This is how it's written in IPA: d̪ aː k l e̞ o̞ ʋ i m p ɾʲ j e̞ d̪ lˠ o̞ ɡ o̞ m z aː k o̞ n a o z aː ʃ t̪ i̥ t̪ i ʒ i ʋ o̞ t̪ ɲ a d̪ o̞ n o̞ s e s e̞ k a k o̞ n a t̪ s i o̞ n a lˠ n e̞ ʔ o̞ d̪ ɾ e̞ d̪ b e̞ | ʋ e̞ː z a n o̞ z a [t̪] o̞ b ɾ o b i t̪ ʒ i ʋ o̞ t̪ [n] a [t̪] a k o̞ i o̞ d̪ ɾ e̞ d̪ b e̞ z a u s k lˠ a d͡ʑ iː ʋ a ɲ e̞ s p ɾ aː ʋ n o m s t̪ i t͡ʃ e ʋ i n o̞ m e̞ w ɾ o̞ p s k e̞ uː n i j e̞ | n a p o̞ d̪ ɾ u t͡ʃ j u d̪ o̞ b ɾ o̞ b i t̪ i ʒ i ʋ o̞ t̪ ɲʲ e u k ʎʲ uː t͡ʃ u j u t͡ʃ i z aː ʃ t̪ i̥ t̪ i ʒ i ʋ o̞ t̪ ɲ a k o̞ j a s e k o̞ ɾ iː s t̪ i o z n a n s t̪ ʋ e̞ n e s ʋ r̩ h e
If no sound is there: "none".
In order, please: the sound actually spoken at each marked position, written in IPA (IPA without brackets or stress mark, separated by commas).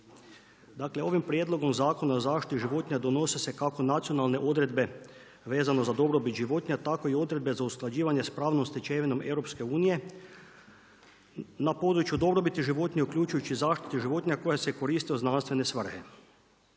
d̪, ɲ, t̪